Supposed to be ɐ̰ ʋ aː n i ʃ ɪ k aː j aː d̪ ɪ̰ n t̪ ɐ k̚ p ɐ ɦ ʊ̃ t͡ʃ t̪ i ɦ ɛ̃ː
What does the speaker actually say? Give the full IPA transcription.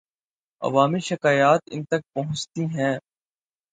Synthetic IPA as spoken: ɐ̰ ʋ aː m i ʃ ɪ k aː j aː t̪ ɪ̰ n t̪ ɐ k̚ p ɐ ɦ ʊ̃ t͡ʃ t̪ i ɦ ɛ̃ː